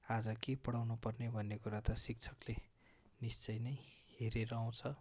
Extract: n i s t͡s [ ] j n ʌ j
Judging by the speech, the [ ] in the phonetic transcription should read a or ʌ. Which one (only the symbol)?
ʌ